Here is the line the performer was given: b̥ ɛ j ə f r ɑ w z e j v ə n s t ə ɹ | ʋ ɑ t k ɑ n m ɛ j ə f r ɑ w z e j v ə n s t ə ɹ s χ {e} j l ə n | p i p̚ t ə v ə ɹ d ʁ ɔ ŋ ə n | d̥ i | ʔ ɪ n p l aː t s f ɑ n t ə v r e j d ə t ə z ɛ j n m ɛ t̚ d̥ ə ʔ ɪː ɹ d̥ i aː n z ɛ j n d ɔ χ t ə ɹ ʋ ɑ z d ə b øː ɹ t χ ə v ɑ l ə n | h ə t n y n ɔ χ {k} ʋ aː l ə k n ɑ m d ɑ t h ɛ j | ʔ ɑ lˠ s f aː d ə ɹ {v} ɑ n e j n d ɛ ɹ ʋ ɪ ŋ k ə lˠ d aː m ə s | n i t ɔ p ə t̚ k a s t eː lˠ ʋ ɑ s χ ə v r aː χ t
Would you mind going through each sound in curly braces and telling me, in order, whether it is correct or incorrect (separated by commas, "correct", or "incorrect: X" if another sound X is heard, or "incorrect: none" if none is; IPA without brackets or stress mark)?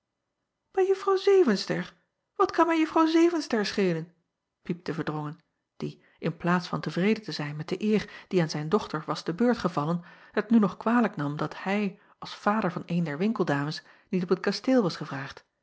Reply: correct, correct, correct